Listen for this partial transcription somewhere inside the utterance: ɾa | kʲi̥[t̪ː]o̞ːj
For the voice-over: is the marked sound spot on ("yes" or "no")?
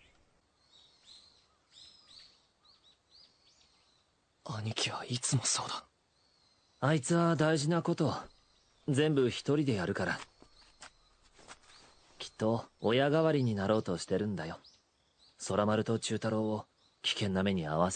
yes